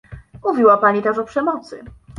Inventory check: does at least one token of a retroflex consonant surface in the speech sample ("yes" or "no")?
yes